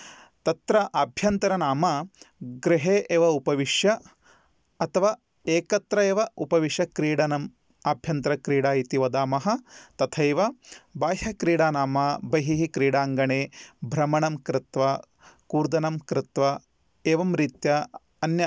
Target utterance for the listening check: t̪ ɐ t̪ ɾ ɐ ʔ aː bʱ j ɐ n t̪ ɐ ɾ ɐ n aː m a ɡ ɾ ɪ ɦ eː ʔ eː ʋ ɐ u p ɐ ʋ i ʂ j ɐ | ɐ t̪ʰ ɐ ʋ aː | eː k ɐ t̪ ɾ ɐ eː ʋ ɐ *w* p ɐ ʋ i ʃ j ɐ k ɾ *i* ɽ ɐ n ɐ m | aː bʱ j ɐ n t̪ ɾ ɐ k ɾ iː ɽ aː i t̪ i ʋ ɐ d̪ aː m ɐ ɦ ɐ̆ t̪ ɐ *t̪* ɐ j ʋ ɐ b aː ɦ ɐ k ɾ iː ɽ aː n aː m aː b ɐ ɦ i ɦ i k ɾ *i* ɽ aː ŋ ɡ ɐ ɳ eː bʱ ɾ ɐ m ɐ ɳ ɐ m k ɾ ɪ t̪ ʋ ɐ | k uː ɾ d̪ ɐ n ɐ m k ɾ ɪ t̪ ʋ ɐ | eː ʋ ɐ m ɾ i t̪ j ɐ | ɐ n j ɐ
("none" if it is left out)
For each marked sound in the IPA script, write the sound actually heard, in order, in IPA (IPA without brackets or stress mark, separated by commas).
u, iː, t̪ʰ, iː